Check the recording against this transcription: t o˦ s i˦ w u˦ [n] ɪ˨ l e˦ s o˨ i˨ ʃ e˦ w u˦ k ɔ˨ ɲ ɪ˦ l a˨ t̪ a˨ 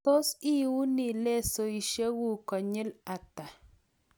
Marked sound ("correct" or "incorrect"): correct